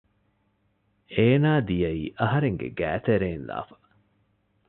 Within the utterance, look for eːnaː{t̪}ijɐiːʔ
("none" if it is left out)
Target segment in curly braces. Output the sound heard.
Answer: d̪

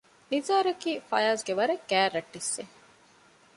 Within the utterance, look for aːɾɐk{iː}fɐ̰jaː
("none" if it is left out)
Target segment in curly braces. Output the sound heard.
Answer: iː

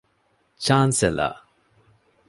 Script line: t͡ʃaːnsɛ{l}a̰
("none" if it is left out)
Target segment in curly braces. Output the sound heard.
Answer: l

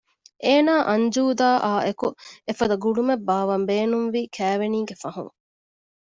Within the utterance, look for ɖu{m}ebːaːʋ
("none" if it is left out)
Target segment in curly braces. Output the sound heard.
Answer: m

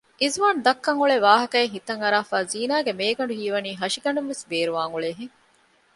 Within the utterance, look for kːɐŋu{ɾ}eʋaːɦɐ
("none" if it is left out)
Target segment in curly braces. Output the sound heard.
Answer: ɭ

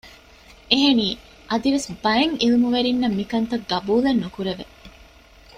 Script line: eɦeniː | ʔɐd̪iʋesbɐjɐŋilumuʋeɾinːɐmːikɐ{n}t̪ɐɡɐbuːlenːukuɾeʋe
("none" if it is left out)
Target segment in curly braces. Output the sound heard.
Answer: n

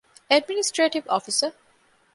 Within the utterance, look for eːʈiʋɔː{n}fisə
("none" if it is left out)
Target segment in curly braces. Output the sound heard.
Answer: none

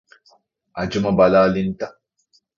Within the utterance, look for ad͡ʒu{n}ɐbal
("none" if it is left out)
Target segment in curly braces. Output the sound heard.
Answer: m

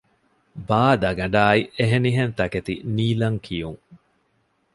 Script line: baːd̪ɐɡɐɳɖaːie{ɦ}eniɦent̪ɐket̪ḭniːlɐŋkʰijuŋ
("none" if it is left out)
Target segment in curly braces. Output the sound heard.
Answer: ɦ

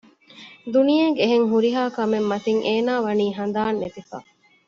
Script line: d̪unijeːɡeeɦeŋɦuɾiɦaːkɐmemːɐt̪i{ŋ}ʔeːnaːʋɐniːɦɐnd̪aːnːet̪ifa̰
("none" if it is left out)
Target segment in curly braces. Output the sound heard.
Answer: ŋ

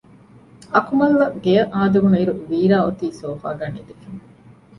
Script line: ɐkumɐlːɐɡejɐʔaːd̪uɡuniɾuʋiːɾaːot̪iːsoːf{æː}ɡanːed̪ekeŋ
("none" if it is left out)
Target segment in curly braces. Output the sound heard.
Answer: aː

